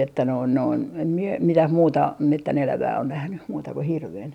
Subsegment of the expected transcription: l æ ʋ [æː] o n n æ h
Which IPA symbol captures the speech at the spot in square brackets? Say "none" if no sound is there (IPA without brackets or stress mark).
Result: æː